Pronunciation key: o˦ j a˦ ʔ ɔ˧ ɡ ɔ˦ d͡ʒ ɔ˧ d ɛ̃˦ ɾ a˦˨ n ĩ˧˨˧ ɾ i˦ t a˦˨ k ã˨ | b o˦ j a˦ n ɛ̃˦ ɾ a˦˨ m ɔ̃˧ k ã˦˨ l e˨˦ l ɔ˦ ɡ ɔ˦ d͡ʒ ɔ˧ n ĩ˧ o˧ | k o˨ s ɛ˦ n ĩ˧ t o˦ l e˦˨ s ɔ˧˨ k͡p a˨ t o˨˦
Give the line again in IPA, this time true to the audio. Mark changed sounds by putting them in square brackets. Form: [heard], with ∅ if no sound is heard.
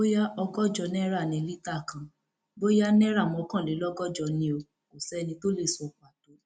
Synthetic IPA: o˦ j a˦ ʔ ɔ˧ ɡ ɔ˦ d͡ʒ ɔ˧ [n] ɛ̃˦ ɾ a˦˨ n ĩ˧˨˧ [l] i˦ t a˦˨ k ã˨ | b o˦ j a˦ n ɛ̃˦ ɾ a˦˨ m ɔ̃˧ k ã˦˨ l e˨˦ l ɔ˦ ɡ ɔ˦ d͡ʒ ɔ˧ n ĩ˧ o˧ | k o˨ s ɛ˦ n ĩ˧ t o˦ l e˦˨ s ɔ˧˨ k͡p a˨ t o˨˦